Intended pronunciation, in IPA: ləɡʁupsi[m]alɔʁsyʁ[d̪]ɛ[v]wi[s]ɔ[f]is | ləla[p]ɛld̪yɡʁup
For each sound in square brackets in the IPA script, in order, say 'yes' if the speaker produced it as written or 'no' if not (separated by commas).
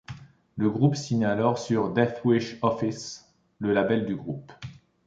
no, yes, no, no, yes, no